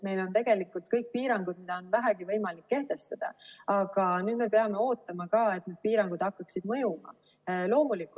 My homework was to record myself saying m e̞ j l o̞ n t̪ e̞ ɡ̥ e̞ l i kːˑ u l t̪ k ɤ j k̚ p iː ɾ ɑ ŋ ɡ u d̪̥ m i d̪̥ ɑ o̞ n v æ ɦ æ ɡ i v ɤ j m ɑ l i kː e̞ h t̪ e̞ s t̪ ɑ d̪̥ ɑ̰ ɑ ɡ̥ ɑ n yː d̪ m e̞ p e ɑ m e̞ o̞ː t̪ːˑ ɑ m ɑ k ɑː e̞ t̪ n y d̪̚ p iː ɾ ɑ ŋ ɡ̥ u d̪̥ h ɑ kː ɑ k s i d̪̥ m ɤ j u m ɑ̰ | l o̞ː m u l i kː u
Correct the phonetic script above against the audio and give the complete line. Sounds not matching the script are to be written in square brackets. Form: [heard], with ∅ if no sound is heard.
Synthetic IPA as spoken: m e̞ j l o̞ n t̪ e̞ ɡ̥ e̞ l i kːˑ u l t̪ k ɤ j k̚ p iː ɾ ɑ ŋ ɡ u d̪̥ m i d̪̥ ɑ o̞ n v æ ɦ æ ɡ i v ɤ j m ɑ l i kː e̞ h t̪ e̞ s t̪ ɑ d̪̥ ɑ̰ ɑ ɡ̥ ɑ n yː d̪ m e̞ p e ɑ m e̞ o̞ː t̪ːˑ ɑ m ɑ k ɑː e̞ t̪ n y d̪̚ p iː ɾ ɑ ŋ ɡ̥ u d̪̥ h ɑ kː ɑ k s i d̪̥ m ɤ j u m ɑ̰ | l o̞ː m u l i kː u

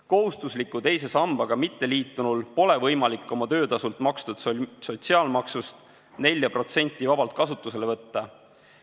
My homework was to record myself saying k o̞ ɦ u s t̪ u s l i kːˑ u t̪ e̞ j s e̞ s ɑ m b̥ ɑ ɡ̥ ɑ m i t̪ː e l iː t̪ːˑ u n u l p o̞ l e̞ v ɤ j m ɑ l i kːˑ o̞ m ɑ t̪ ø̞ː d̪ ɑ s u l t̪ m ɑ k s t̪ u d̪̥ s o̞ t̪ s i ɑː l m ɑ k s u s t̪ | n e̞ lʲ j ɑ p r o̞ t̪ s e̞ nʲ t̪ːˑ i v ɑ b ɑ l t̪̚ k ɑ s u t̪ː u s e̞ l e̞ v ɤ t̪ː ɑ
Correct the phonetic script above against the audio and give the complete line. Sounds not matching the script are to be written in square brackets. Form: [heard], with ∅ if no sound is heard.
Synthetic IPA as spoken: k o̞ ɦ u s t̪ u s l i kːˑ u t̪ e̞ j s e̞ s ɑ m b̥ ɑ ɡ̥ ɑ m i t̪ː e l iː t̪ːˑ u n u l p o̞ l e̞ v ɤ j m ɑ l i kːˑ o̞ m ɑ t̪ ø̞ː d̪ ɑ s u l t̪ m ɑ k s t̪ u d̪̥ s o̞ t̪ s i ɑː l m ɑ k s u s t̪ | n e̞ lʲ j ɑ p r o̞ t̪ s e̞ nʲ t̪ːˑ i v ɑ b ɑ l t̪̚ k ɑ s u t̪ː u s e̞ l e̞ v ɤ t̪ː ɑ

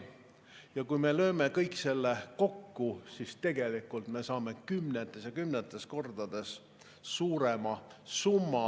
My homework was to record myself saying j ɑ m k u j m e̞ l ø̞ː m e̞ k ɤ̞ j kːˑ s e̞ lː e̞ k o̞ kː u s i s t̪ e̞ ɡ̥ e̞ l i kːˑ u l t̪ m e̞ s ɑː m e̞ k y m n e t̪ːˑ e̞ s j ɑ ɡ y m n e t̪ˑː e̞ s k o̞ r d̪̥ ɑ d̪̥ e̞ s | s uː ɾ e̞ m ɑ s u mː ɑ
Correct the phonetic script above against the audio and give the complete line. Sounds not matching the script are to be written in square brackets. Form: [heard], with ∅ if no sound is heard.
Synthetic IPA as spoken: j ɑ [∅] k u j m e̞ l ø̞ː m e̞ k ɤ̞ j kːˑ s e̞ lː e̞ k o̞ kː u s i s t̪ e̞ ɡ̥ e̞ l i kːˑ u l t̪ m e̞ s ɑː m e̞ k y m n e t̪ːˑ e̞ s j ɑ [k] y m n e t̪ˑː e̞ s k o̞ r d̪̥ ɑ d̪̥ e̞ s | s uː ɾ e̞ m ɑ s u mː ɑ

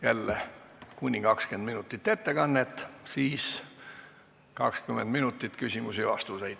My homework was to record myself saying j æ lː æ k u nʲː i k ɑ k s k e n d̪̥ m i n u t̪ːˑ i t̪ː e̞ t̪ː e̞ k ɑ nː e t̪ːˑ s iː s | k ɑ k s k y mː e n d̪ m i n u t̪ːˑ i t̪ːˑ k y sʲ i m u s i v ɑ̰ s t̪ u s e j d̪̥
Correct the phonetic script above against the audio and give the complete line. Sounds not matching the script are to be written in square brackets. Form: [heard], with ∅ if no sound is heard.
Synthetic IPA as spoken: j æ lː [e] k u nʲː i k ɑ k s k e n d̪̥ m i n u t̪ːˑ i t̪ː e̞ t̪ː e̞ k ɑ nː e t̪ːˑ s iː s | k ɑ k s k y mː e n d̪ m i n u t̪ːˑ i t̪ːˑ k y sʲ i m u s i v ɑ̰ s t̪ u s e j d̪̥

